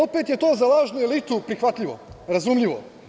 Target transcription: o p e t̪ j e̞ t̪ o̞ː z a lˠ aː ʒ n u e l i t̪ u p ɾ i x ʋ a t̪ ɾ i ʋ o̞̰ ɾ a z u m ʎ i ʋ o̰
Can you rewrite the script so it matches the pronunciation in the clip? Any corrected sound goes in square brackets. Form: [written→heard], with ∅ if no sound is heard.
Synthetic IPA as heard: o p e t̪ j e̞ t̪ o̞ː z a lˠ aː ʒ n u e l i t̪ u p ɾ i x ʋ a t̪ [ɾ→ʎ] i ʋ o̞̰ ɾ a z u m ʎ i ʋ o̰